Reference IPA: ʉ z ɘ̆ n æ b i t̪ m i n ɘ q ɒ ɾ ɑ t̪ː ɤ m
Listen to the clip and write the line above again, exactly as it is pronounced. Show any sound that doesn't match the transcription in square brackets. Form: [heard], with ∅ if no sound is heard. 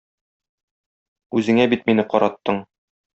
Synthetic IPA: ʉ z ɘ̆ [ŋ] æ b i t̪ m i n ɘ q ɒ ɾ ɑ t̪ː ɤ [ɴ]